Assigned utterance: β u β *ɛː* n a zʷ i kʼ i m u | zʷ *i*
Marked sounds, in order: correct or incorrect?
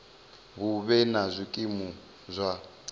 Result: incorrect: ɛ, incorrect: a

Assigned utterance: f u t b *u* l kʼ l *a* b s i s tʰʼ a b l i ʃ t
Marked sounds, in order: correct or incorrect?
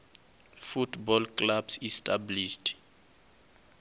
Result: incorrect: ɔ, correct

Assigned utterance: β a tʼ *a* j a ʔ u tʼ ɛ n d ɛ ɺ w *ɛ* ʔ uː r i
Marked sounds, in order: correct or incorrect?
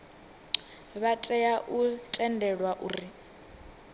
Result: incorrect: ɛ, incorrect: a

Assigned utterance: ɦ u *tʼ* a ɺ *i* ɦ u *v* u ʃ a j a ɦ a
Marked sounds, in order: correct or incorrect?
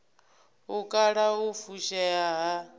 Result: incorrect: kʼ, incorrect: a, incorrect: f

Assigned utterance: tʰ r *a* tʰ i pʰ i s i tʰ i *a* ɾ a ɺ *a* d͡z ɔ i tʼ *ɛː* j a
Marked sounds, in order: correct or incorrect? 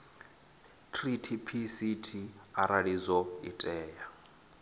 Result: incorrect: i, correct, incorrect: i, correct

